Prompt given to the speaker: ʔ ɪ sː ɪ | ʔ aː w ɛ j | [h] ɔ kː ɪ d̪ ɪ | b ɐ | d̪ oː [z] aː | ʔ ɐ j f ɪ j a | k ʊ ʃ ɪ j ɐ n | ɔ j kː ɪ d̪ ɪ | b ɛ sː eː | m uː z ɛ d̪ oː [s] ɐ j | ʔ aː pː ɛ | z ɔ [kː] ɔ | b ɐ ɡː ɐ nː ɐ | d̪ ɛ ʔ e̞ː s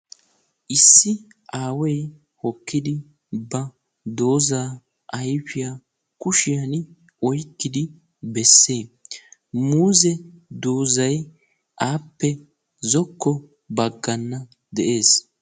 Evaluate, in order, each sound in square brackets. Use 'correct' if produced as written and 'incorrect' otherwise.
correct, correct, incorrect, correct

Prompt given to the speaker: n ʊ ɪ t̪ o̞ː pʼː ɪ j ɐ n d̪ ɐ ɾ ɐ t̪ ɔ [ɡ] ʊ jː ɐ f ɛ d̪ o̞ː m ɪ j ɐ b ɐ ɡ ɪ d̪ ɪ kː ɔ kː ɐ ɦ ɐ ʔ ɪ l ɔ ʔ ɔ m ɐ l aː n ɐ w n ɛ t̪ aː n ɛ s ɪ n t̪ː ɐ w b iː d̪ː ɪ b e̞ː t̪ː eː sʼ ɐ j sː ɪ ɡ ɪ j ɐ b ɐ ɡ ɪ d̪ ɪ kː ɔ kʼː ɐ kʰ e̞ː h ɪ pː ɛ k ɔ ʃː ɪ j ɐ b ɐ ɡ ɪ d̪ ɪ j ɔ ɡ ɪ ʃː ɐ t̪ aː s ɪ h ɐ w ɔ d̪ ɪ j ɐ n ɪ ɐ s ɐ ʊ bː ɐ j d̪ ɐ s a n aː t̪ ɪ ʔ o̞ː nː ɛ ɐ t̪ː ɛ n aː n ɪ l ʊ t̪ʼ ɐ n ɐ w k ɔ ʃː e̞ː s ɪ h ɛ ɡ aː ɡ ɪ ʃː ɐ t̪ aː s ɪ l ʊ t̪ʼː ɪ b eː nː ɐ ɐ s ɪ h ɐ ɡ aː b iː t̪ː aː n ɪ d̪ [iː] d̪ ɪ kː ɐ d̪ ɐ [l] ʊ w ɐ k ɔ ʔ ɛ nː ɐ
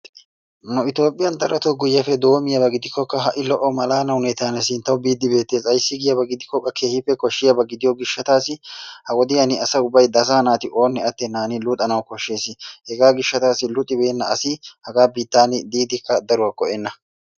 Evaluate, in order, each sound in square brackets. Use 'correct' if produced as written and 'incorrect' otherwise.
correct, correct, incorrect

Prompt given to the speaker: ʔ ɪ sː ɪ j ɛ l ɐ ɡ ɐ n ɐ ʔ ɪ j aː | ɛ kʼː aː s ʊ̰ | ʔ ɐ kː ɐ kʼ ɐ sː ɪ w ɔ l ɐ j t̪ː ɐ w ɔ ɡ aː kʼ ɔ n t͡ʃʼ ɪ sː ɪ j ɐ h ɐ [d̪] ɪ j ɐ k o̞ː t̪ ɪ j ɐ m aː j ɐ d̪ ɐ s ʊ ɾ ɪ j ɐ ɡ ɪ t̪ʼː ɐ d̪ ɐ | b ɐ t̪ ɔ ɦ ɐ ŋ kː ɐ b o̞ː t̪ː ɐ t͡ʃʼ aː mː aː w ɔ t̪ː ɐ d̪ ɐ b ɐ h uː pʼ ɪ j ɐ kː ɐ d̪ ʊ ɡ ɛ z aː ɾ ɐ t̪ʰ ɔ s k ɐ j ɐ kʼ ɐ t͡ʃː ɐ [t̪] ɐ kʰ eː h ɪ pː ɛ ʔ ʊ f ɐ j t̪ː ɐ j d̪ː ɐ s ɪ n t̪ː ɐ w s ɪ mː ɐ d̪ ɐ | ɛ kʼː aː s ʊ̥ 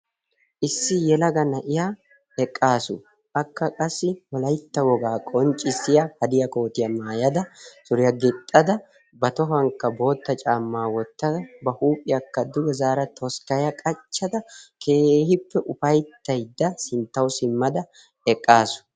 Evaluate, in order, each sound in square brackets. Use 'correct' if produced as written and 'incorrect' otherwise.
correct, incorrect

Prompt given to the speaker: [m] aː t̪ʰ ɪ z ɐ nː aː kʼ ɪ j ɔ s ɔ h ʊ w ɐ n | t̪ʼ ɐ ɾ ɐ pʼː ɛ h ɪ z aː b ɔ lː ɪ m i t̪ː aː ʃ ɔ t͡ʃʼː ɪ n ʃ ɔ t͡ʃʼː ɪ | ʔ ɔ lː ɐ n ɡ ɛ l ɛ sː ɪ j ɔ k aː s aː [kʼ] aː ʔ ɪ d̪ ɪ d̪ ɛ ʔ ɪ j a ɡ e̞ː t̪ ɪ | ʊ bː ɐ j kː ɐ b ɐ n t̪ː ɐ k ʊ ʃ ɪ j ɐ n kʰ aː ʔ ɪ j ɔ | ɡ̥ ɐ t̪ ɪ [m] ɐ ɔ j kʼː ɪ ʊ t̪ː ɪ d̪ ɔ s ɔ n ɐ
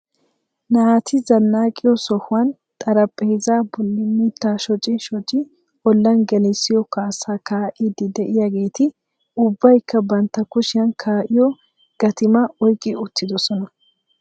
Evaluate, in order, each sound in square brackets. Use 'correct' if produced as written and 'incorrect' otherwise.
incorrect, incorrect, correct

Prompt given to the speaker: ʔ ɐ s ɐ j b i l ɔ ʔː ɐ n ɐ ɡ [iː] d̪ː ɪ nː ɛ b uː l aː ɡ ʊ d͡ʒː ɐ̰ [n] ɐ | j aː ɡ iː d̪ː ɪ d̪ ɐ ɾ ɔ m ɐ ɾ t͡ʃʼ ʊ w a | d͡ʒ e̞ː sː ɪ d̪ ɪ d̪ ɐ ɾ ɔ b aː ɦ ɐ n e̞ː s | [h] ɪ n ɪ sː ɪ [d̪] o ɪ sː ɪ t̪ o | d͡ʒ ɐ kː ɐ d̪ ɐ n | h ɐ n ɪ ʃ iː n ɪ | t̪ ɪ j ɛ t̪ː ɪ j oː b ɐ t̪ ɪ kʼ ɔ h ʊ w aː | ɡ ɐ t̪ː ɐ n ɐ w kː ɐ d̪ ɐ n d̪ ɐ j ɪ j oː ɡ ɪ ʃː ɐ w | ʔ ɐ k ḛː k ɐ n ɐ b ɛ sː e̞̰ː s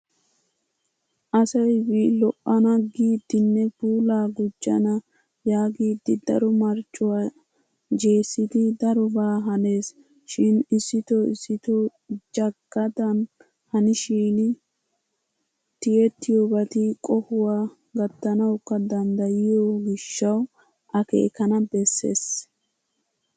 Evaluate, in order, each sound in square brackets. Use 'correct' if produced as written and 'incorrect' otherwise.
correct, correct, incorrect, incorrect

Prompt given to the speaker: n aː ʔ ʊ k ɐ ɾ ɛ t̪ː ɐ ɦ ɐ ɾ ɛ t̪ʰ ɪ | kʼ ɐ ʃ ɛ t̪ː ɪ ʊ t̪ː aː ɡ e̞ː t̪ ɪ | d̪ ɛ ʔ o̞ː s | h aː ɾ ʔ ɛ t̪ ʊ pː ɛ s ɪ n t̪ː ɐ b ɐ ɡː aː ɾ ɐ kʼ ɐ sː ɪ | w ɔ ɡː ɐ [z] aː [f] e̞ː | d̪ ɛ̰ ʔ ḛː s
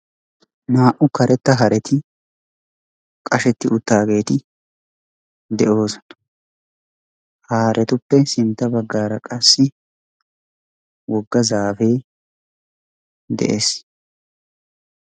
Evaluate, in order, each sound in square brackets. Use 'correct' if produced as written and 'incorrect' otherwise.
correct, correct

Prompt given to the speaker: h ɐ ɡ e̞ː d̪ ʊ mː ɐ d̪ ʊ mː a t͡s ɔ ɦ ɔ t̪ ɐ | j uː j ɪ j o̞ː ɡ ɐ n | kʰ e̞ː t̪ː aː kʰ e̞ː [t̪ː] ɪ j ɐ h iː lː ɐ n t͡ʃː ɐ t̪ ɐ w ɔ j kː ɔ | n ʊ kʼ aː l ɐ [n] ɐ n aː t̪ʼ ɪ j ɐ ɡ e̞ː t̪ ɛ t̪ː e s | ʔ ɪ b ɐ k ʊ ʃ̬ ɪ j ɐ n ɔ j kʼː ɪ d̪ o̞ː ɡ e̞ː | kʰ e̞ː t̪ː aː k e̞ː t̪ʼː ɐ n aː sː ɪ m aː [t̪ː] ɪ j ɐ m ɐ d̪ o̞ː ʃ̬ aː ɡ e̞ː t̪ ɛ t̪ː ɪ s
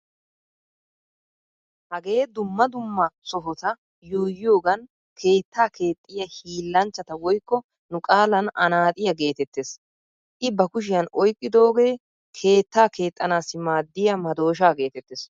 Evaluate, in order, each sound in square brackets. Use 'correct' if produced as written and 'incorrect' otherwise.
incorrect, correct, incorrect

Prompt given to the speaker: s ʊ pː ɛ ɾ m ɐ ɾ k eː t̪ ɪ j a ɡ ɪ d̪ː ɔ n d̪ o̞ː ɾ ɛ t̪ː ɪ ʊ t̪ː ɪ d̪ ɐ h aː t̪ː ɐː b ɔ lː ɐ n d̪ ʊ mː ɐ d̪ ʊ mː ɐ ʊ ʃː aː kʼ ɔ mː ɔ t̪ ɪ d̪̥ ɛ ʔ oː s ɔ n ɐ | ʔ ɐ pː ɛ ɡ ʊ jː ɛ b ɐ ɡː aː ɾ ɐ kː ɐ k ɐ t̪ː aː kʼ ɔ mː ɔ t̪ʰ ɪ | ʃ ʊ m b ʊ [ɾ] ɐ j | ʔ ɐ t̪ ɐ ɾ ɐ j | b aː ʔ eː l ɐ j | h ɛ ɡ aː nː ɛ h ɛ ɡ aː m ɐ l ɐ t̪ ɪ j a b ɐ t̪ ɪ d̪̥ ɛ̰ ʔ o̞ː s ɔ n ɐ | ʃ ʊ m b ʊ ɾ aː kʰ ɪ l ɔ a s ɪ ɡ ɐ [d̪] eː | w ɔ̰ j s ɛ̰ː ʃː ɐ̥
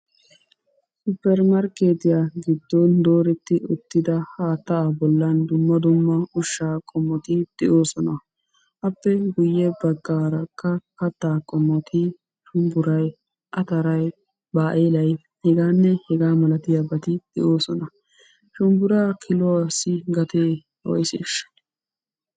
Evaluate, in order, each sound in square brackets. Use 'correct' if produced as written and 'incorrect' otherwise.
correct, incorrect

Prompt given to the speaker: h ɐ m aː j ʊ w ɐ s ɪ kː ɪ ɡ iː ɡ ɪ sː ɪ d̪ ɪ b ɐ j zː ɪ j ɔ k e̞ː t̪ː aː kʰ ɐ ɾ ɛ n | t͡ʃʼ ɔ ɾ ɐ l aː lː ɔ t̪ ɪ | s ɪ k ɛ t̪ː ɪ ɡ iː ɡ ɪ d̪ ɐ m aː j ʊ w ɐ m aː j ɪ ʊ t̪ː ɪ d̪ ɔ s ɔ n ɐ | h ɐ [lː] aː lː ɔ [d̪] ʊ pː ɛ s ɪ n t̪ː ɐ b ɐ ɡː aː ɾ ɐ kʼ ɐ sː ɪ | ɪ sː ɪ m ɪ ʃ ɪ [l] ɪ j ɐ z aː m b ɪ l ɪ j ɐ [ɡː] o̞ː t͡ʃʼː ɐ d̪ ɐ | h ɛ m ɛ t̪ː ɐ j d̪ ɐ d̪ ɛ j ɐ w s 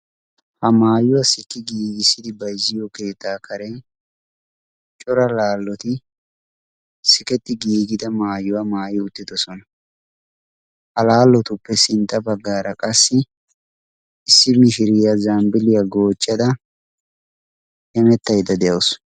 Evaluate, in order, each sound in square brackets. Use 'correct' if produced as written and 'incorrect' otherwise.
incorrect, incorrect, incorrect, incorrect

